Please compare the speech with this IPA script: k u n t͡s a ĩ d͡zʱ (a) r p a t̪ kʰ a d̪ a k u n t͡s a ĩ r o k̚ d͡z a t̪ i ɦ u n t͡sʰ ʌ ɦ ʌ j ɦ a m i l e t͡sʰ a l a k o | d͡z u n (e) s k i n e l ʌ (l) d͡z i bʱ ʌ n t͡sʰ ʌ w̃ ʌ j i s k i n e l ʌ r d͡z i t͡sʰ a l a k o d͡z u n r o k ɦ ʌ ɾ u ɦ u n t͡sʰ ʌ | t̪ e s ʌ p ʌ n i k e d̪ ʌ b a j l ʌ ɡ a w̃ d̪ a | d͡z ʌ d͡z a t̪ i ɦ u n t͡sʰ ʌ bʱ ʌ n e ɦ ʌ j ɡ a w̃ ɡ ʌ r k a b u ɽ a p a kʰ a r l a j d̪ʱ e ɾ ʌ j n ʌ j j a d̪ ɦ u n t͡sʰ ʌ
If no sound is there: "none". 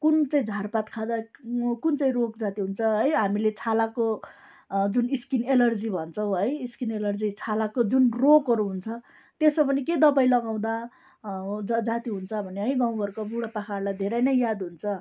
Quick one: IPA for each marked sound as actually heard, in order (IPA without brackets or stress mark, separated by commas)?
a, i, r